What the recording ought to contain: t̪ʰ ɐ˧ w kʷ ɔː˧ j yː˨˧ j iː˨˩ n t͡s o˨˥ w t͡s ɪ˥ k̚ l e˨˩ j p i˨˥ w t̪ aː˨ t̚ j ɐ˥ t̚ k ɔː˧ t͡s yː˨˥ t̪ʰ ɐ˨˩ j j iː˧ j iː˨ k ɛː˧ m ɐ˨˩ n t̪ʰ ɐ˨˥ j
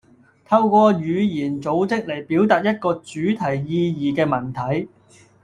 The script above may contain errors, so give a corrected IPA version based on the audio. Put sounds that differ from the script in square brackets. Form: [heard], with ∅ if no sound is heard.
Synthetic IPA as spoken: t̪ʰ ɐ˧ w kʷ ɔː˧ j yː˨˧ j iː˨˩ n t͡s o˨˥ w t͡s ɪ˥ k̚ l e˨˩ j p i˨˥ w t̪ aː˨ t̚ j ɐ˥ t̚ k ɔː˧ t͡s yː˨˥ t̪ʰ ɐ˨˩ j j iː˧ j iː˨ k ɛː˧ m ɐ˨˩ n t̪ʰ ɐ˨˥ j